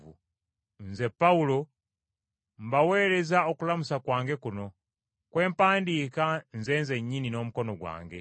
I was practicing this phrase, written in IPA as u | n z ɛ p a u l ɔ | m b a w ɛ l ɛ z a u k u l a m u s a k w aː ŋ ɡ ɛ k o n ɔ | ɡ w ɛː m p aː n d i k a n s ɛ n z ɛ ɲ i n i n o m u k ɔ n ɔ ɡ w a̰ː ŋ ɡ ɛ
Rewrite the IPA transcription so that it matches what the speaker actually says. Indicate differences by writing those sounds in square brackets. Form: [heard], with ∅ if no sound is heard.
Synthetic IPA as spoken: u | n z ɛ p a u l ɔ | m b a w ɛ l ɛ z a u k u l a m u s a k w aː ŋ ɡ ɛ k [u] n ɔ | [k] w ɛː m p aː n d i k a n [z] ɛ n z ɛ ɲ i n i n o m u k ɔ n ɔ ɡ w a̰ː ŋ ɡ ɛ